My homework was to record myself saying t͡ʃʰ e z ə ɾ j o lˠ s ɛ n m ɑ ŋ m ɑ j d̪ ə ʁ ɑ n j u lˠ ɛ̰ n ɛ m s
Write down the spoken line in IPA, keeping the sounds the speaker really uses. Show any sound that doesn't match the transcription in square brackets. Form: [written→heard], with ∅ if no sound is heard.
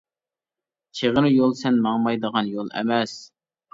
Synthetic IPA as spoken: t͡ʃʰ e [z→ʁ] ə ɾ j o lˠ s ɛ n m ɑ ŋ m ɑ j d̪ ə ʁ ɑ n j [u→o] lˠ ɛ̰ [n→m] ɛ [m→∅] s

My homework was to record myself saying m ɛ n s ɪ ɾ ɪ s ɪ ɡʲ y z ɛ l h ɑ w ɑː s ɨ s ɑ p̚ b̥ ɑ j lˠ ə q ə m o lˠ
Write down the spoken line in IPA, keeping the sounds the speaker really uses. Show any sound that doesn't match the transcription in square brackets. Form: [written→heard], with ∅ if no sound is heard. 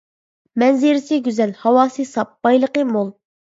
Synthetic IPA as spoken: m ɛ n [s→z] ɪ ɾ ɪ s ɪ ɡʲ y z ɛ l h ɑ w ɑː s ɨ s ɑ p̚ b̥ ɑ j lˠ ə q ə m o lˠ

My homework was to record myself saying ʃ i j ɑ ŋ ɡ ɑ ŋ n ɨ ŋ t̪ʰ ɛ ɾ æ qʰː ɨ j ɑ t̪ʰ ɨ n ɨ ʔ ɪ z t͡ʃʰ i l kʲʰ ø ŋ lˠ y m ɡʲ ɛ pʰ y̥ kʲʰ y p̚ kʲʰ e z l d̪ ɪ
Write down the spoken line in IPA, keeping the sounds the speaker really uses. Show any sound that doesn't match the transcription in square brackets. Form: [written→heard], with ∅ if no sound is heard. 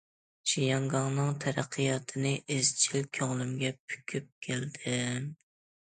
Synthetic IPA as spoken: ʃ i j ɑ ŋ ɡ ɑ ŋ n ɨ ŋ t̪ʰ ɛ ɾ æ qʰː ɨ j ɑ t̪ʰ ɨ n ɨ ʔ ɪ z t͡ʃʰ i l kʲʰ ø ŋ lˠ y m ɡʲ ɛ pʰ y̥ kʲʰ y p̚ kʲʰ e [z→∅] l d̪ ɪ

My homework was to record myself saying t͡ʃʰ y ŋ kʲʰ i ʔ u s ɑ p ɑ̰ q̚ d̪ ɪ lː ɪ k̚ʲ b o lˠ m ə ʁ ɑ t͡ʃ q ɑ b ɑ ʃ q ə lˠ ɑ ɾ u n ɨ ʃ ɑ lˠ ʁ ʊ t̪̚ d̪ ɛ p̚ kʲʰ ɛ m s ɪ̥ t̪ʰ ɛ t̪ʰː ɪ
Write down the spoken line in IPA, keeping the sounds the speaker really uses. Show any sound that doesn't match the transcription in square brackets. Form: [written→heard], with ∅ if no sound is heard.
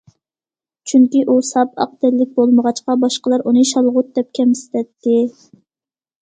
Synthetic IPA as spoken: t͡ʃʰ y ŋ [kʲʰ→kʲ] i ʔ u s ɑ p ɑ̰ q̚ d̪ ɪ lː ɪ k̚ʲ b o lˠ m ə ʁ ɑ t͡ʃ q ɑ b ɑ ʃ q ə lˠ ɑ ɾ u n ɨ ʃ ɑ lˠ ʁ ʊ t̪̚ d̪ ɛ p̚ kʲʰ ɛ m s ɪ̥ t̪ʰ ɛ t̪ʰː ɪ

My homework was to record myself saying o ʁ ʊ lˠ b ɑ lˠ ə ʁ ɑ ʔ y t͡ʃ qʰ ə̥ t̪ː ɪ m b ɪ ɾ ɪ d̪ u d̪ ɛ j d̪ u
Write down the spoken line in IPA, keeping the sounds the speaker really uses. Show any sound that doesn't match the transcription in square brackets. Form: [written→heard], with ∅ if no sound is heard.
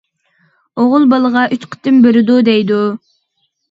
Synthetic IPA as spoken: o ʁ ʊ lˠ b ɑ lˠ ə ʁ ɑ ʔ y t͡ʃ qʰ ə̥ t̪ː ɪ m b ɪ ɾ ɪ d̪ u d̪ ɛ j d̪ u

